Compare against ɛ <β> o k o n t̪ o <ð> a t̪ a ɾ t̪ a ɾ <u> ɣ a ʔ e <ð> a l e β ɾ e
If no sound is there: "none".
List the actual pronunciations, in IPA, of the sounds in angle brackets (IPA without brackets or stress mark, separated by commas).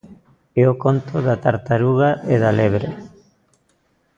none, ð, u, ð